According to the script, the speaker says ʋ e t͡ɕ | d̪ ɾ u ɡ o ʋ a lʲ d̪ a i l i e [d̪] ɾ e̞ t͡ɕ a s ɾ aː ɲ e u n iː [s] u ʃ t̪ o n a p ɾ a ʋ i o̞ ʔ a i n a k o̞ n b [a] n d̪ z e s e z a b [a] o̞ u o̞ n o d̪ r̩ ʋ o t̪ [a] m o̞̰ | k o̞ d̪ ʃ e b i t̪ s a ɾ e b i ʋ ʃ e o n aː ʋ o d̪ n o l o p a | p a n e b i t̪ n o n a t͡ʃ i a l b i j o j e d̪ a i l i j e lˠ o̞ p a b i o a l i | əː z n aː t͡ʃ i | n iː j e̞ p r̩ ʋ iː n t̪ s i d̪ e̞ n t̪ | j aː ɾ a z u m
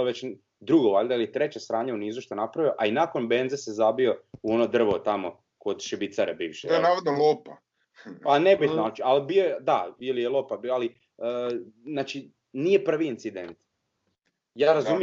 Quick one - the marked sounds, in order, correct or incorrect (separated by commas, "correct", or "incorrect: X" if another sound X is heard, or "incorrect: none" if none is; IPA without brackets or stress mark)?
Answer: incorrect: t̪, incorrect: z, incorrect: e, incorrect: i, correct